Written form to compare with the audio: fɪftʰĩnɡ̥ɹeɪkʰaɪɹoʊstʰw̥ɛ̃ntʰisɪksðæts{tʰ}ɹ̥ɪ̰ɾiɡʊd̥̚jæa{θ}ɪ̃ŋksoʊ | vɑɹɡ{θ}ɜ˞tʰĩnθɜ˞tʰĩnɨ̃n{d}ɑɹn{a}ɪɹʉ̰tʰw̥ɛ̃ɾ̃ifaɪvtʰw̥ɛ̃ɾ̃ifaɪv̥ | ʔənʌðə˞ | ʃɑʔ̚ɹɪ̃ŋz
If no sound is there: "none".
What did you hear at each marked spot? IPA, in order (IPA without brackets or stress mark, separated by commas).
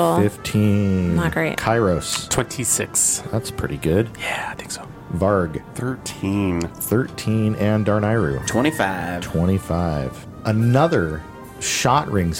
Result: pʰ, θ, θ, d, a